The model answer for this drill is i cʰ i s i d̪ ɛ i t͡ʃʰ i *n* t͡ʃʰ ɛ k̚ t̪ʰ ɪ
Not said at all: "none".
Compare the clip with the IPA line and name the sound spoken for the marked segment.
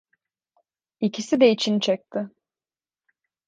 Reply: n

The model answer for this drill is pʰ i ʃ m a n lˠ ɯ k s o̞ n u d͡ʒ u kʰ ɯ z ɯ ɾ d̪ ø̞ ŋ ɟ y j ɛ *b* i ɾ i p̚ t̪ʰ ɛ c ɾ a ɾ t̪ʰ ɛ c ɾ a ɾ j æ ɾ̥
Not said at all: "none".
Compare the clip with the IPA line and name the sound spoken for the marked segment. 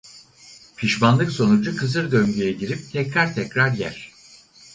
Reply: ɟ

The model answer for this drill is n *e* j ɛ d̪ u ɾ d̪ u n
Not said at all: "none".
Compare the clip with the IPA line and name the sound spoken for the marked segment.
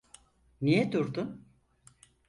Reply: i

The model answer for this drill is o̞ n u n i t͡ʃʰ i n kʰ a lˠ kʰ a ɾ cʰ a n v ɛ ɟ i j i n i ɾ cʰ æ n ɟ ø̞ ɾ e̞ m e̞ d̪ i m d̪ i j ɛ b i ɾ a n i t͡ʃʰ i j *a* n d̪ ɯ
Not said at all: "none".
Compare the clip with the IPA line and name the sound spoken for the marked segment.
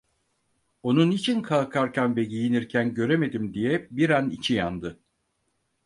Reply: a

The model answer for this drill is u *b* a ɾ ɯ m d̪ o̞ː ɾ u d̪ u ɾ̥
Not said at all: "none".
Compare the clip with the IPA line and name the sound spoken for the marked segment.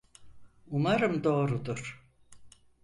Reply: m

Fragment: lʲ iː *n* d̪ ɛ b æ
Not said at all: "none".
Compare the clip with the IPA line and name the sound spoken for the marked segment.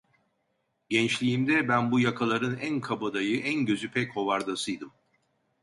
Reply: m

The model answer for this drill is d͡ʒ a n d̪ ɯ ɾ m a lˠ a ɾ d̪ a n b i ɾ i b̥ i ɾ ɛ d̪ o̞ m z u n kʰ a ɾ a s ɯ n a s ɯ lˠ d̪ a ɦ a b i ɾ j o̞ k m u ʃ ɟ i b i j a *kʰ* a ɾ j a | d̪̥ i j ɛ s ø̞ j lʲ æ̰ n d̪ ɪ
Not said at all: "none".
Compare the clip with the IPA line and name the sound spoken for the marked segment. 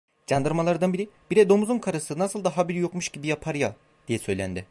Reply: pʰ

